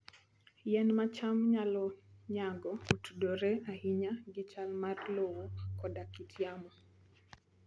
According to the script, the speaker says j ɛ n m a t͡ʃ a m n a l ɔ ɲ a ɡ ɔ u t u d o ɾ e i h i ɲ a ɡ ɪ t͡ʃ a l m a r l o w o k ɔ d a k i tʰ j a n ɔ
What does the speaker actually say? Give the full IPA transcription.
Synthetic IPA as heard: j ɛ n m a t͡ʃ a m ɲ a l ɔ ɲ a ɡ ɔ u t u d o ɾ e a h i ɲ a ɡ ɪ t͡ʃ a l m a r l o w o k ɔ d a k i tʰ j a m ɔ

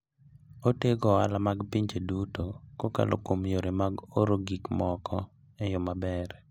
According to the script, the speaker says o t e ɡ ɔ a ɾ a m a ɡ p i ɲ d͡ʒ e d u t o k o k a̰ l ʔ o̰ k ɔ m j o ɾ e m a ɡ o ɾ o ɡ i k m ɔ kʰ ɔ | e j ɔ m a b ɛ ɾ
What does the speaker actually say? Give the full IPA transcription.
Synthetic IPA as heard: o t e ɡ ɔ a l a m a ɡ p i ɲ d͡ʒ e d u t o k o k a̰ l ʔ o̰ k o m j o ɾ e m a ɡ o ɾ o ɡ i k m ɔ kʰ ɔ | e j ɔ m a b ɛ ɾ

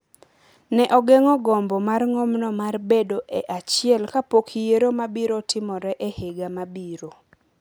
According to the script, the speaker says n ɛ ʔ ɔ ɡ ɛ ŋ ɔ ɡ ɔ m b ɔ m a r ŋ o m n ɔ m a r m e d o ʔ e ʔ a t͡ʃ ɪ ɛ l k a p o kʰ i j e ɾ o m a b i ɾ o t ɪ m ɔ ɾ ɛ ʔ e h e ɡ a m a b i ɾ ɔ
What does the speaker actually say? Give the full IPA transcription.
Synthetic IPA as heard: n ɛ ʔ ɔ ɡ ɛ ŋ ɔ ɡ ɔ m b ɔ m a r ŋ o m n ɔ m a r b e d o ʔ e ʔ a t͡ʃ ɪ ɛ l k a p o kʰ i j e ɾ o m a b i ɾ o t ɪ m ɔ ɾ ɛ ʔ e h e ɡ a m a b i ɾ o

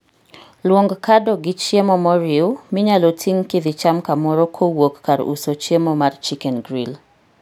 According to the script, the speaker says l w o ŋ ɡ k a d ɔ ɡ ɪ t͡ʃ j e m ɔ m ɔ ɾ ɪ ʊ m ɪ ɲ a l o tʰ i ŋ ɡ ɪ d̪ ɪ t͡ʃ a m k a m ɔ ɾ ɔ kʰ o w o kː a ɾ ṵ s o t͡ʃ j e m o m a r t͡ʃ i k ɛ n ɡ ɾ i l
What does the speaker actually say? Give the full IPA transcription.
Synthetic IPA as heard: l w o ŋ ɡ k a d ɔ ɡ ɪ t͡ʃ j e m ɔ m ɔ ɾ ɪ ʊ m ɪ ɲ a l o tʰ i ŋ k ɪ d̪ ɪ t͡ʃ a m k a m ɔ ɾ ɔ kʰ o w o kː a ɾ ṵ s o t͡ʃ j e m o m a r t͡ʃ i k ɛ n ɡ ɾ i l

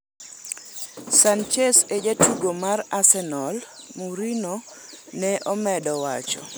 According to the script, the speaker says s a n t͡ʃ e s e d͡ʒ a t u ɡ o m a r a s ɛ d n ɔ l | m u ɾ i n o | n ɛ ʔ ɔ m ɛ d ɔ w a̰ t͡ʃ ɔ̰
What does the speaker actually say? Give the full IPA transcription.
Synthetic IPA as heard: s a n t͡ʃ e s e d͡ʒ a t u ɡ o m a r a s ɛ n ɔ l | m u ɾ i n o | n ɛ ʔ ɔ m ɛ d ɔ w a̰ t͡ʃ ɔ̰

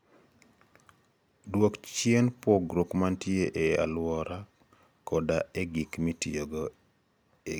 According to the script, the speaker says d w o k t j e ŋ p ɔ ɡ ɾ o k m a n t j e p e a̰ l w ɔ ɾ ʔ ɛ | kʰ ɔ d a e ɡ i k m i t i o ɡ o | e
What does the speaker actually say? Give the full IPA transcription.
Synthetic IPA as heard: d w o k t͡ʃ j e n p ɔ ɡ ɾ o k m a n t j e ʔ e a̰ l w ɔ ɾ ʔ a | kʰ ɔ d a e ɡ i k m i t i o ɡ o | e

